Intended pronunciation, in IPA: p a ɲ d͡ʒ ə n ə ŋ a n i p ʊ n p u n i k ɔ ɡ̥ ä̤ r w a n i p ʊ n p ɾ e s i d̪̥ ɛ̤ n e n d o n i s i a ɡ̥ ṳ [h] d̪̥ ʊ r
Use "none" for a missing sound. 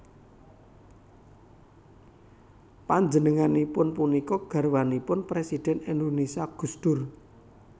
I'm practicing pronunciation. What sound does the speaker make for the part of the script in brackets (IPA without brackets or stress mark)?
s